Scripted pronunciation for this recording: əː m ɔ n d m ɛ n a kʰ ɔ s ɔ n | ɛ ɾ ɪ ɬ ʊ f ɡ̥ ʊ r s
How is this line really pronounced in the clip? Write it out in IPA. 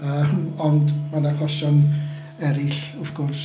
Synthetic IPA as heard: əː m ɔ n d m a n a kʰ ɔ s ɔ n | ɛ ɾ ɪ ɬ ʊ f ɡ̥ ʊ r s